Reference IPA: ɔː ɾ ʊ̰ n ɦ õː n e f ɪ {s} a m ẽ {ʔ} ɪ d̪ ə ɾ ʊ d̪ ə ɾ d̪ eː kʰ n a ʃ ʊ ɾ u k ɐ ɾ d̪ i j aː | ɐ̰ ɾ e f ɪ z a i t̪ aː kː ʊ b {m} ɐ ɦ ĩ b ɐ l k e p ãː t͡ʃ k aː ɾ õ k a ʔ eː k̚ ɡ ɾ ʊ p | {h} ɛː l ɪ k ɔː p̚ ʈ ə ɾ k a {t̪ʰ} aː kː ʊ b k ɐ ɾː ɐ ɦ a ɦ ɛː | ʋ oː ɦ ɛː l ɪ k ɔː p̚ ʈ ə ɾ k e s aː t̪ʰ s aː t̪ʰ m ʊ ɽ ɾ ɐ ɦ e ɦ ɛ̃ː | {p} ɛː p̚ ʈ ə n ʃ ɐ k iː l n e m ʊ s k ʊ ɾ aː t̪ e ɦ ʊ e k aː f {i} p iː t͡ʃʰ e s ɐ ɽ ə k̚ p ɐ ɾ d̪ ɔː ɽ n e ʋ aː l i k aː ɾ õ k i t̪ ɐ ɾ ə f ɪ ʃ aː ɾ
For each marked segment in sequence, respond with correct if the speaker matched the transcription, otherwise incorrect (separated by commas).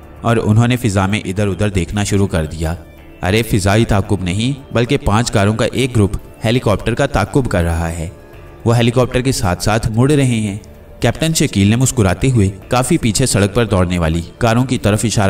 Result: incorrect, correct, incorrect, correct, incorrect, incorrect, correct